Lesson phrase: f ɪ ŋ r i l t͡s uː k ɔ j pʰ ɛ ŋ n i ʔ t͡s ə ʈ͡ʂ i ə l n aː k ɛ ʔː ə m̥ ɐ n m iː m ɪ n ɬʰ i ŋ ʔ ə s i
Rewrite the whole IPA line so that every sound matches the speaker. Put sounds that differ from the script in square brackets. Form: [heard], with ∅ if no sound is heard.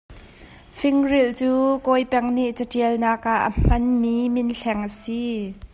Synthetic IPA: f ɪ ŋ r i l t͡s uː k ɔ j [p] ɛ ŋ n i ʔ t͡s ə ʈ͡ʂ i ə l n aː k [a] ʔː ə m̥ ɐ n m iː m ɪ n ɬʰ [ɛ] ŋ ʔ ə s i